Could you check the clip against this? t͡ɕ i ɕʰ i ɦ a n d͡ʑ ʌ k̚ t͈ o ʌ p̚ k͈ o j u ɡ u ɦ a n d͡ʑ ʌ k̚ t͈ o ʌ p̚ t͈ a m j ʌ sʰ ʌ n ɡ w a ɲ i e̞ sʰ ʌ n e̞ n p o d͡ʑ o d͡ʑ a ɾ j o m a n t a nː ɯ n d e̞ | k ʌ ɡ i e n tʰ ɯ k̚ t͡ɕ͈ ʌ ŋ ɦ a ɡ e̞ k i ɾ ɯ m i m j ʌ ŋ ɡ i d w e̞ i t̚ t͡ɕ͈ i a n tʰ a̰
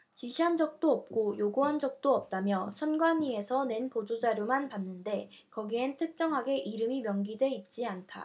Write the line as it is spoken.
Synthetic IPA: t͡ɕ i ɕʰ i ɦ a n d͡ʑ ʌ k̚ t͈ o ʌ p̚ k͈ o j o ɡ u ɦ a n d͡ʑ ʌ k̚ t͈ o ʌ p̚ t͈ a m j ʌ sʰ ʌ n ɡ w a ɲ i e̞ sʰ ʌ n e̞ n p o d͡ʑ o d͡ʑ a ɾ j o m a n p a nː ɯ n d e̞ | k ʌ ɡ i e n tʰ ɯ k̚ t͡ɕ͈ ʌ ŋ ɦ a ɡ e̞ ʔ i ɾ ɯ m i m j ʌ ŋ ɡ i d w e̞ i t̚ t͡ɕ͈ i a n tʰ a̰